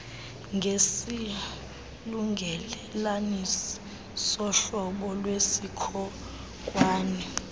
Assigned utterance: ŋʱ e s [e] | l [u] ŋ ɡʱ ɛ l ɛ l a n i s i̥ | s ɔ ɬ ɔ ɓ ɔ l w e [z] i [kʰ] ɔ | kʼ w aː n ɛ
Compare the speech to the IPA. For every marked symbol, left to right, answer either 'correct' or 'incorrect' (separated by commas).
incorrect, correct, incorrect, correct